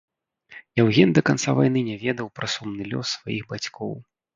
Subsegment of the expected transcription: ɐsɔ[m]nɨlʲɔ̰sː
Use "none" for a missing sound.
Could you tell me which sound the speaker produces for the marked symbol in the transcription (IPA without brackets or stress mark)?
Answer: m